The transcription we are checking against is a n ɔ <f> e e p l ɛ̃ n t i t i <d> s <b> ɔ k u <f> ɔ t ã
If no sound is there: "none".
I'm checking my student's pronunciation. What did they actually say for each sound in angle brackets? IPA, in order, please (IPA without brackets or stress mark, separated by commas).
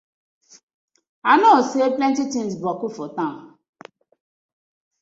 s, n, b, f